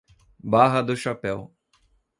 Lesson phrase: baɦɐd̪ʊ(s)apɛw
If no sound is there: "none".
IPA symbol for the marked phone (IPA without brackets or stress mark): ʃ